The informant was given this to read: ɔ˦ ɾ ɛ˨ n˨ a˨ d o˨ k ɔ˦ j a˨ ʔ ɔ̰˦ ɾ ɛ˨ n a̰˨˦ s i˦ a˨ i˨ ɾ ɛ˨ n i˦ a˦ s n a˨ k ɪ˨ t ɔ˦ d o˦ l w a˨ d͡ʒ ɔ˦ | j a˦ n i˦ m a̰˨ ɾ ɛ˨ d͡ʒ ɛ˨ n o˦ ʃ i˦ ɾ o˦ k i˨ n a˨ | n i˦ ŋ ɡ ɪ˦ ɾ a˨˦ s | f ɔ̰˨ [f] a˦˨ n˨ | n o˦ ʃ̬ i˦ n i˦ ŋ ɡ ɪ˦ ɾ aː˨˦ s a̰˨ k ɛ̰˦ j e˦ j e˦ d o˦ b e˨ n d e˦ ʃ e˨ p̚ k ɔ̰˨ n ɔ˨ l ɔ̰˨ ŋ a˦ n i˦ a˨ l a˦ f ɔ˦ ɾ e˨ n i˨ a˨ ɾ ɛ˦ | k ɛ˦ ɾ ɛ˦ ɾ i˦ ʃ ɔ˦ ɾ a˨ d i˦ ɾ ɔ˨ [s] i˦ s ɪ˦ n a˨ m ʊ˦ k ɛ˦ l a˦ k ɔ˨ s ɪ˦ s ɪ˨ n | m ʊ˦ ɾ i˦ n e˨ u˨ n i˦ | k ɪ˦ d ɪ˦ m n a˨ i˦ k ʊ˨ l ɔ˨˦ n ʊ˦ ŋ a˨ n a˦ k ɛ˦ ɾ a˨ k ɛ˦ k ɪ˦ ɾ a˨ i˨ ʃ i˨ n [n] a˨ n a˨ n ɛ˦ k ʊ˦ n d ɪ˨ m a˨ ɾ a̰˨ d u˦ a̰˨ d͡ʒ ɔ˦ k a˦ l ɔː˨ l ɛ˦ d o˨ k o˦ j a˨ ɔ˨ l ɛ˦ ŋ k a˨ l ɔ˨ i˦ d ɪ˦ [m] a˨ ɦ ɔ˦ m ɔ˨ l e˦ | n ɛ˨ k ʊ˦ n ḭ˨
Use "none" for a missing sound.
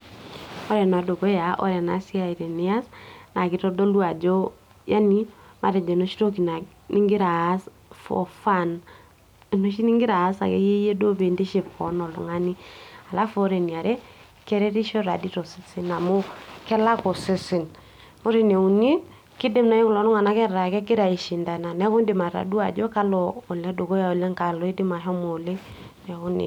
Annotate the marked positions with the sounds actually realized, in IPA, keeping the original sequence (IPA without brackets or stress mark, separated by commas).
f, s, d, m